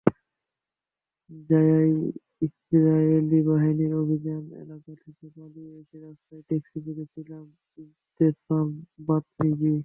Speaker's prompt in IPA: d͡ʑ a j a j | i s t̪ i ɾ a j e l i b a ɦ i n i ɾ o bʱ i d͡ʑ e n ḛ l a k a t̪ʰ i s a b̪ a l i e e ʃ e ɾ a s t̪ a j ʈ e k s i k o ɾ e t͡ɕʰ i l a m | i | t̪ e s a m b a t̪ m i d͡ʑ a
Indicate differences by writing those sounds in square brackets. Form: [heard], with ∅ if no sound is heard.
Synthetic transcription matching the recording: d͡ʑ a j a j | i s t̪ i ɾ a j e l i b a ɦ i n i ɾ o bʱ i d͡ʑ [a] n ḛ l a k a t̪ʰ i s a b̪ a l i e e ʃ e ɾ a s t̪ a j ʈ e k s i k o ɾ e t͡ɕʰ i l a m | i | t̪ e s a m b a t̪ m i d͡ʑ [i]